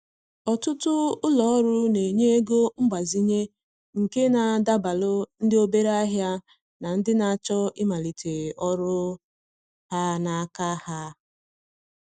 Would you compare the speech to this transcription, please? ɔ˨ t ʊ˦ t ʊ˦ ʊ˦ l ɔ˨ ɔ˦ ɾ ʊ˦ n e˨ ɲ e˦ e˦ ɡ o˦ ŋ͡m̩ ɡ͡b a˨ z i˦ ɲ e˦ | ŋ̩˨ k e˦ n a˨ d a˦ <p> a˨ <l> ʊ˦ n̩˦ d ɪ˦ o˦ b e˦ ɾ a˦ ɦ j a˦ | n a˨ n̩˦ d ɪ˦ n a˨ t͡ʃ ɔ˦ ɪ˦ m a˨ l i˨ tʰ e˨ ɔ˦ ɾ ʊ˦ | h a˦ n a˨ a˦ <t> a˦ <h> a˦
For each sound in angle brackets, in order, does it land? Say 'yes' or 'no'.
no, yes, no, yes

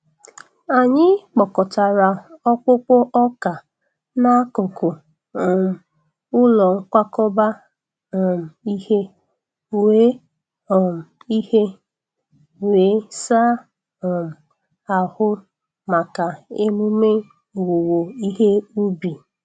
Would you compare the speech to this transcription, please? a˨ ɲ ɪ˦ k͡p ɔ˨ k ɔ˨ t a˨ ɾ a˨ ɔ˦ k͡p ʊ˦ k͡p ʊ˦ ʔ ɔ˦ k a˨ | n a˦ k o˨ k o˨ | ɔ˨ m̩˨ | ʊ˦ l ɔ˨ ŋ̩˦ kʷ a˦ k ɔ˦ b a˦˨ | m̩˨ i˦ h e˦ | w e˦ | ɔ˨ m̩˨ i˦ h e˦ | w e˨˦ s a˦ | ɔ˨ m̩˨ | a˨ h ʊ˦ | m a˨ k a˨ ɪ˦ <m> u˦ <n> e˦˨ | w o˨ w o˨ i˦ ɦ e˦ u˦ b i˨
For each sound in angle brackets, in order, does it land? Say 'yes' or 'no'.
yes, no

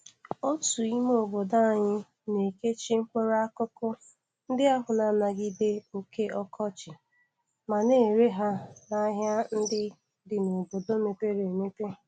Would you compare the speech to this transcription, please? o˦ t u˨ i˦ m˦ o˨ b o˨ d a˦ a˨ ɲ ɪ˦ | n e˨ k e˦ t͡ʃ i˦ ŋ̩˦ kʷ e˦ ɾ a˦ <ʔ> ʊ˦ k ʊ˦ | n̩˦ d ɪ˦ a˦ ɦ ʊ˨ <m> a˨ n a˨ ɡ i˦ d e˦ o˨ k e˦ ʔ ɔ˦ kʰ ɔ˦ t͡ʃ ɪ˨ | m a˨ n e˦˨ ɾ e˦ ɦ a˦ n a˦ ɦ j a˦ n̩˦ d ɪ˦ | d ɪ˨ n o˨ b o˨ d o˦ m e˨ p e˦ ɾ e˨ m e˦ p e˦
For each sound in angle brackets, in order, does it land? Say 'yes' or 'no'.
no, no

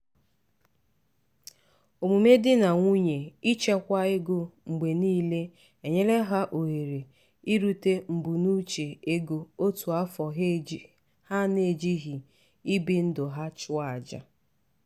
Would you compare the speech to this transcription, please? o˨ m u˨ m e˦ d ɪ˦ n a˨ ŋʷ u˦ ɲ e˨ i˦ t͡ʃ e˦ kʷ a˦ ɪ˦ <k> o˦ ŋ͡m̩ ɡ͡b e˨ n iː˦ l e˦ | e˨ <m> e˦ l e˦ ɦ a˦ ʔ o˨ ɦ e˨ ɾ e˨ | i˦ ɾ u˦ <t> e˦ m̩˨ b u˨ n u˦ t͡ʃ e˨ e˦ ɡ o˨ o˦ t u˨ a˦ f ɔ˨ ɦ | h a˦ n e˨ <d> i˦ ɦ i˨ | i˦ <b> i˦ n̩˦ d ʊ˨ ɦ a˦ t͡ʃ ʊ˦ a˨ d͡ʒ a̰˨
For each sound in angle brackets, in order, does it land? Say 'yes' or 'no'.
no, no, yes, no, yes

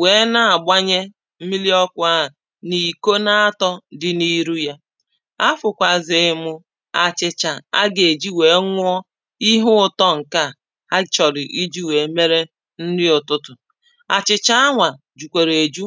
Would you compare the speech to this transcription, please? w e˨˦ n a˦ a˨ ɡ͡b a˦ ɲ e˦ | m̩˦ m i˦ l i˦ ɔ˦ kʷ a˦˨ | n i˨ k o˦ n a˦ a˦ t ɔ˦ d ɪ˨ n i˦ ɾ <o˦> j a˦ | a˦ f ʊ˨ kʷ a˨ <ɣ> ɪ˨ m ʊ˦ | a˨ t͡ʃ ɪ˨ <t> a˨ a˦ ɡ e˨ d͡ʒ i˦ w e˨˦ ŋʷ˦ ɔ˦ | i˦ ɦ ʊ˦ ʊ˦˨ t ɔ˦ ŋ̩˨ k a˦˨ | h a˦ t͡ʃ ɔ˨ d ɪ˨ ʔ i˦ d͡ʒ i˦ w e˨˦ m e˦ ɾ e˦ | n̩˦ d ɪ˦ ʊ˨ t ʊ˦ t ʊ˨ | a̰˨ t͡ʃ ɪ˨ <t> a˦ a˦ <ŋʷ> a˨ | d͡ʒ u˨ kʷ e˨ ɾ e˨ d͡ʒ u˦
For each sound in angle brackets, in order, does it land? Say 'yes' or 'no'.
no, no, no, no, yes

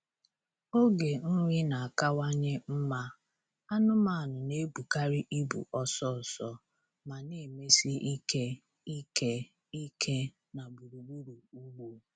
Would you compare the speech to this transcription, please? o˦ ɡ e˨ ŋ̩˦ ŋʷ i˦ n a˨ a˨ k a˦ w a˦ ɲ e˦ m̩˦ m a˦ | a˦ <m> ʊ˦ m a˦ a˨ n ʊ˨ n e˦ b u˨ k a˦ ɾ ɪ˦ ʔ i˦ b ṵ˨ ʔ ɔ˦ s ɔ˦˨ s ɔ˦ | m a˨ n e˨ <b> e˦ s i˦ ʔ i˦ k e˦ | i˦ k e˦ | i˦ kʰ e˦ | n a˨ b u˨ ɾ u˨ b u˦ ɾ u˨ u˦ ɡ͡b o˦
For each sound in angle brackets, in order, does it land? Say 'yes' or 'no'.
no, no

